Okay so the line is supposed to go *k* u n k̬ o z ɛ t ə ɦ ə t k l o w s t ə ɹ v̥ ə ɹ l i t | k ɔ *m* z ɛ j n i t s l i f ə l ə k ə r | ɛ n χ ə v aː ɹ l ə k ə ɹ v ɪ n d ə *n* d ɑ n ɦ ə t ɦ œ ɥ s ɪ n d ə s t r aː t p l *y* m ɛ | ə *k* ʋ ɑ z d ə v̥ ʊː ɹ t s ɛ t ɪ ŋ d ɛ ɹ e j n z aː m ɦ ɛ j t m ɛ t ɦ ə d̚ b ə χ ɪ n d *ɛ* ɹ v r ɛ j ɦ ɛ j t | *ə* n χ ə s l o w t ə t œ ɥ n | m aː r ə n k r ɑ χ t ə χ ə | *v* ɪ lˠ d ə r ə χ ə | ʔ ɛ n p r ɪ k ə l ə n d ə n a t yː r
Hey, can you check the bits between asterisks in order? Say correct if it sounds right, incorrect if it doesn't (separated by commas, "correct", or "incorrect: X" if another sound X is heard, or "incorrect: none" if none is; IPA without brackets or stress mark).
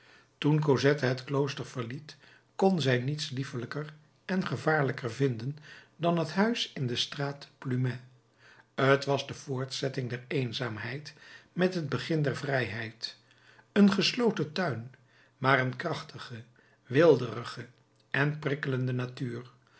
incorrect: t, incorrect: n, correct, correct, incorrect: t, correct, correct, incorrect: ʋ